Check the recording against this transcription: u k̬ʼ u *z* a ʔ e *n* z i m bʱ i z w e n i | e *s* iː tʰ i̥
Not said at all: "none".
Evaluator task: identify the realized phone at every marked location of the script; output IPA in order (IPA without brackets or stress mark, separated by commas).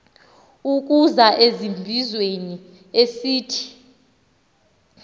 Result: z, none, s